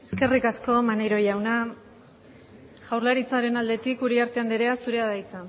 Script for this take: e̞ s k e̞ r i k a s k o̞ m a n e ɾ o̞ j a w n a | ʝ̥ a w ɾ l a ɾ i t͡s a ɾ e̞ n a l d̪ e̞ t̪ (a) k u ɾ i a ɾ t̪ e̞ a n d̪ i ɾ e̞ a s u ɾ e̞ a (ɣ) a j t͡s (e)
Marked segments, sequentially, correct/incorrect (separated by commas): incorrect, incorrect, incorrect